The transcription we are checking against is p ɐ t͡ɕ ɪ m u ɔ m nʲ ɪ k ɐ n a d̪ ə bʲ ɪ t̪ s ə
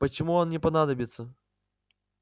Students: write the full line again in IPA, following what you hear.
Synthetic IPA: p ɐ t͡ɕ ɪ m u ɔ n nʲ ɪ p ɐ n a d̪ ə bʲ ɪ t̪ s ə